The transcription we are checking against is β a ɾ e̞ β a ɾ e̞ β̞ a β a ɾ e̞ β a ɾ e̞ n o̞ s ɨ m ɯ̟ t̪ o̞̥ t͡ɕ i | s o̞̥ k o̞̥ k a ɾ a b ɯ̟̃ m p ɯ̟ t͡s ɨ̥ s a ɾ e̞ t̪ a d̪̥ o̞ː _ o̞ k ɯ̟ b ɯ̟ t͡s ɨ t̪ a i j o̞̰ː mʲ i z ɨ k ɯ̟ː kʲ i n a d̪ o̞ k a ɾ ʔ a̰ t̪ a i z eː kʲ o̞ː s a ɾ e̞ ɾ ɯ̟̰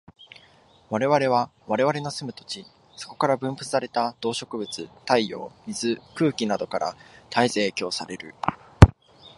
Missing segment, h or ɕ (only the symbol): ɕ